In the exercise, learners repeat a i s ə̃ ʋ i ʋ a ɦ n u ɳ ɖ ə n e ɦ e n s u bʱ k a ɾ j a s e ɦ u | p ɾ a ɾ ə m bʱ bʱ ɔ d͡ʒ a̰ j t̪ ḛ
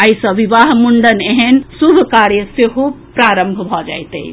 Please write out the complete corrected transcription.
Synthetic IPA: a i s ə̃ ʋ i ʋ a ɦ m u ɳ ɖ ə n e ɦ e n s u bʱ k a ɾ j ə s e ɦ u | p ɾ a ɾ ə m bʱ bʱ ɔ d͡ʒ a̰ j t̪ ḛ